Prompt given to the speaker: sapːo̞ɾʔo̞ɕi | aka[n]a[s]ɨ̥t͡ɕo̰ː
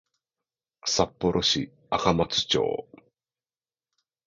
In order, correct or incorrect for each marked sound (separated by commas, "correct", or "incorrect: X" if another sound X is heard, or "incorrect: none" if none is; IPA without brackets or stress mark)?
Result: incorrect: m, incorrect: t͡s